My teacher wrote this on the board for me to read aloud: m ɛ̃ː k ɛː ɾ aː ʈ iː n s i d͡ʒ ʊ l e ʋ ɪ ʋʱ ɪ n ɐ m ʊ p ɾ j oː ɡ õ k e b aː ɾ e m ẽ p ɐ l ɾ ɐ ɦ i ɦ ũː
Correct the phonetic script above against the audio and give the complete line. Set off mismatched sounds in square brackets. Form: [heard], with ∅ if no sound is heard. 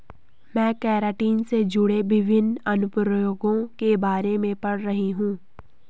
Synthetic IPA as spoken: m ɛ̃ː k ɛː ɾ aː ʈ iː n s [e] d͡ʒ ʊ [ɽ] e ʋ ɪ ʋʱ ɪ n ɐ [n] ʊ p ɾ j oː ɡ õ k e b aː ɾ e m ẽ p ɐ [ɽ] ɾ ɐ ɦ i ɦ ũː